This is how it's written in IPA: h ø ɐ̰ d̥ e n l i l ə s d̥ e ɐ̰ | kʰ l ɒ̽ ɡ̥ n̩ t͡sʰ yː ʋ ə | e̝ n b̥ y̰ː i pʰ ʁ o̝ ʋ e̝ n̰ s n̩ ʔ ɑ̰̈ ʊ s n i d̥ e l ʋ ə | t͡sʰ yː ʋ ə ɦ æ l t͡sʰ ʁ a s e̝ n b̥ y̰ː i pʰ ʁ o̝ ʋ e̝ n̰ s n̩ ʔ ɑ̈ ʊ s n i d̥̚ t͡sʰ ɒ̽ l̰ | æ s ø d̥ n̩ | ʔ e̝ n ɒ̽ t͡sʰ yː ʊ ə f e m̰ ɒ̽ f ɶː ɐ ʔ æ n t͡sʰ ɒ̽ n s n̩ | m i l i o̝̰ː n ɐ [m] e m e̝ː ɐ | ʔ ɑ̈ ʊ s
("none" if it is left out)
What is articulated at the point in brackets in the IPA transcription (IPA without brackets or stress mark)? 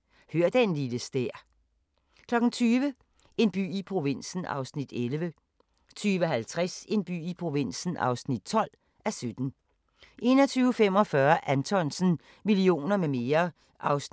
m